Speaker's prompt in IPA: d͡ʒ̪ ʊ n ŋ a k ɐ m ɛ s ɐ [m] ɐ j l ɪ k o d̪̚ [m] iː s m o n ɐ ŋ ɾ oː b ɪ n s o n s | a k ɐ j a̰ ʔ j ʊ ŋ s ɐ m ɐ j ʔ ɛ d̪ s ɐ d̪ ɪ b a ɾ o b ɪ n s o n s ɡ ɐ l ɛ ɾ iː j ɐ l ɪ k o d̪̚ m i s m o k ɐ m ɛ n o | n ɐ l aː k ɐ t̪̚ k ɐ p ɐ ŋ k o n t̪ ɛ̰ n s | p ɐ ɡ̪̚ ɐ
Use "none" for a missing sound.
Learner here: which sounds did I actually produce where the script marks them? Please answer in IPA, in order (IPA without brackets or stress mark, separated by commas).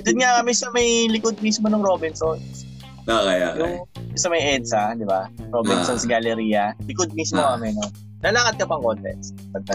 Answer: m, m